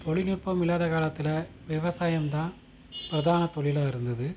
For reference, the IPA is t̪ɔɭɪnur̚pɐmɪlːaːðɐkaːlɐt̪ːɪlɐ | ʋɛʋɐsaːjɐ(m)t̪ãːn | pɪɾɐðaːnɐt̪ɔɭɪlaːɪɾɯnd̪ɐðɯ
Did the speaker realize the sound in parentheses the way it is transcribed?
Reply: yes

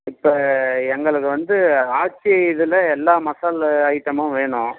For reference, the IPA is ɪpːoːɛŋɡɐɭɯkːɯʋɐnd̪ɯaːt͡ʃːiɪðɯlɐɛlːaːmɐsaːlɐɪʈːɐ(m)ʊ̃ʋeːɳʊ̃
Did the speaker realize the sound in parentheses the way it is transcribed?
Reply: yes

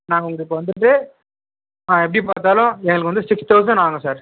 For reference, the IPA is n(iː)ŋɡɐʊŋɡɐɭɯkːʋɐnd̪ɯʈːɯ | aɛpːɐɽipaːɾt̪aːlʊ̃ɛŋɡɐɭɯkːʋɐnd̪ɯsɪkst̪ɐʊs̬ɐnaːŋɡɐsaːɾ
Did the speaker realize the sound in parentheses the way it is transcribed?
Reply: no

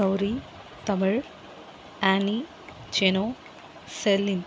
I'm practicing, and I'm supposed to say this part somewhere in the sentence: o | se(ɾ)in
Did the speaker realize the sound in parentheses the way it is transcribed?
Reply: no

